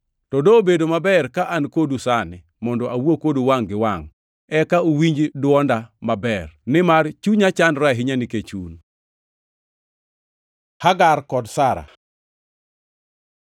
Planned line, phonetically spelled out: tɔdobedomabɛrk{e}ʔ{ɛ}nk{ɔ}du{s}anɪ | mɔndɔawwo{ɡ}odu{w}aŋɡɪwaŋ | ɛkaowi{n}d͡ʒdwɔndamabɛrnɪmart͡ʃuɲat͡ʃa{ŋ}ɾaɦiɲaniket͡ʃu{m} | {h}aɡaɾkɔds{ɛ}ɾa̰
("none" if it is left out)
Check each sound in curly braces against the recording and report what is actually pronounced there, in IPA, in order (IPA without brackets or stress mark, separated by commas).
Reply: a, a, o, s, k, w, ɲ, n, n, h, a